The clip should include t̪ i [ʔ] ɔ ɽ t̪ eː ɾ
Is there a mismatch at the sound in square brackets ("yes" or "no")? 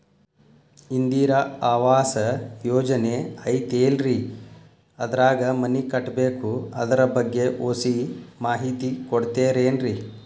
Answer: yes